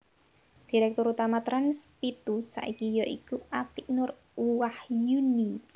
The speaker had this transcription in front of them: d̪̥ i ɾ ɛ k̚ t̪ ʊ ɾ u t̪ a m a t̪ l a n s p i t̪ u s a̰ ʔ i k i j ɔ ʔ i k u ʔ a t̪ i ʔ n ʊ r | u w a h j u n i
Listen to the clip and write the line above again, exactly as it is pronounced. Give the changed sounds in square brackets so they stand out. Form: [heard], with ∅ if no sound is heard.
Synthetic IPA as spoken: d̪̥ i ɾ ɛ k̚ t̪ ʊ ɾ u t̪ a m a t̪ [ɾ] a n s p i t̪ u s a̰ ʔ i k i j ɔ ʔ i k u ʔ a t̪ i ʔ n ʊ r | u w a h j u n i